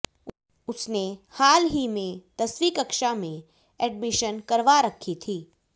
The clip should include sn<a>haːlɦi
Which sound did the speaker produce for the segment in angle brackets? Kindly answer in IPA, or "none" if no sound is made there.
e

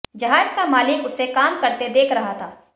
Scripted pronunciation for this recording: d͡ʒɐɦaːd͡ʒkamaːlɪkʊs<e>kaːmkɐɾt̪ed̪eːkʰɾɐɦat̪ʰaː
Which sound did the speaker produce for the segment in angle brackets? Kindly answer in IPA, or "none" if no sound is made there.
e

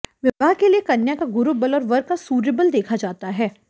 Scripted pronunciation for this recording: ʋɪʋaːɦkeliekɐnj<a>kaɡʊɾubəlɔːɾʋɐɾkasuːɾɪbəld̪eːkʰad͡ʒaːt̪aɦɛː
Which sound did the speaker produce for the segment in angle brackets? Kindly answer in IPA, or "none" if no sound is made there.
a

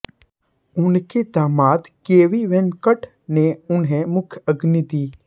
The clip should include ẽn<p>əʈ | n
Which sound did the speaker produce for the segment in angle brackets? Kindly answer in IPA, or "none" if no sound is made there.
k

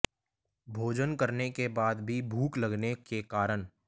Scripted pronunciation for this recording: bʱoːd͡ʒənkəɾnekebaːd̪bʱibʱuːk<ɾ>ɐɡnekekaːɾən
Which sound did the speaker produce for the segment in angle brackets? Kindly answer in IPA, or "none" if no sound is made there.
l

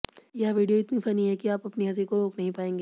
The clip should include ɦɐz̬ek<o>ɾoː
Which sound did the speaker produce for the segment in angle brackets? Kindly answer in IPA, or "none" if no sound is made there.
o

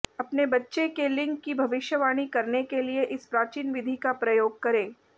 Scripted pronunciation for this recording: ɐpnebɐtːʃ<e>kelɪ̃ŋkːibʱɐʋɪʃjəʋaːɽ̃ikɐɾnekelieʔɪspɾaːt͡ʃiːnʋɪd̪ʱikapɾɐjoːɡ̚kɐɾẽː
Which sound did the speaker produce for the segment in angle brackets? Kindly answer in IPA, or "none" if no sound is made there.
e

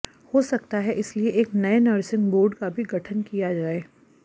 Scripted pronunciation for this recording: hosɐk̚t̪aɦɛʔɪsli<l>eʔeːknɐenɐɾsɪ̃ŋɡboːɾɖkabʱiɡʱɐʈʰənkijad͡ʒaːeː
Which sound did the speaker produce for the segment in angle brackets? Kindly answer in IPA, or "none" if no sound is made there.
none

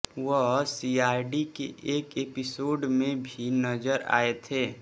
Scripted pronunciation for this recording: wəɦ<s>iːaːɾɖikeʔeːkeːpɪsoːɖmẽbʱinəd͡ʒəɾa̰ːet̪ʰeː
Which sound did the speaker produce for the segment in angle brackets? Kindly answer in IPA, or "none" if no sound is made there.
s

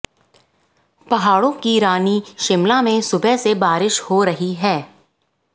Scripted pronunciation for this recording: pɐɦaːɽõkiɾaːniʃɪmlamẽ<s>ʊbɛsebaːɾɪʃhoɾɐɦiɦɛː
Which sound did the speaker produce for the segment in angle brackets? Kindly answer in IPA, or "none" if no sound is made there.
s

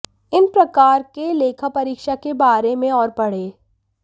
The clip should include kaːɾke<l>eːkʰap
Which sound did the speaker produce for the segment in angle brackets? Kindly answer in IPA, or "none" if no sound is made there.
l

